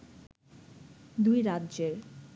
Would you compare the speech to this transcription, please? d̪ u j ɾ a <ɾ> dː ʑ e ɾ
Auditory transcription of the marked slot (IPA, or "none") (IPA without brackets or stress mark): none